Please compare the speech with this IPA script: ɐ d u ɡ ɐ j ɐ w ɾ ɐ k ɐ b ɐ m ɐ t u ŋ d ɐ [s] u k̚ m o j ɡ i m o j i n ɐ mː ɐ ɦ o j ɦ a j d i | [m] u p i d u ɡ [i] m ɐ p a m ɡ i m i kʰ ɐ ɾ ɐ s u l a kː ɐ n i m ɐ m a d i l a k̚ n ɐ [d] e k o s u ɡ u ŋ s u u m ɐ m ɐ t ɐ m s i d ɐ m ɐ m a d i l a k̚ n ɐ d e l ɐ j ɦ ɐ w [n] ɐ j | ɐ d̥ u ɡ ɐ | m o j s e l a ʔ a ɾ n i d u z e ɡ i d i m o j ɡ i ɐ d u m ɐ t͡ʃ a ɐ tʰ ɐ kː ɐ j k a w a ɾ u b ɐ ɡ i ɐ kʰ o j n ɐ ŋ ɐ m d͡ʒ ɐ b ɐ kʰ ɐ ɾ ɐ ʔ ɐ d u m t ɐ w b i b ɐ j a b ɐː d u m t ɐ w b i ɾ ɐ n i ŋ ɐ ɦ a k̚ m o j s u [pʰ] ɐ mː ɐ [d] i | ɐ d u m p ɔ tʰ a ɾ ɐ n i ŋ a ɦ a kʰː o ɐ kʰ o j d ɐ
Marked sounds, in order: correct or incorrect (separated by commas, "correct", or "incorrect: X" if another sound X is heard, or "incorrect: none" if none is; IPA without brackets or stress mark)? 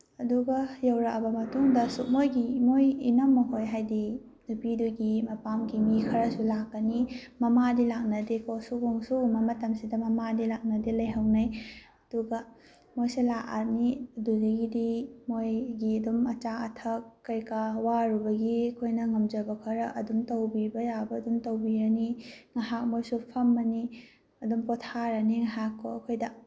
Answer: correct, incorrect: n, correct, correct, correct, correct, incorrect: n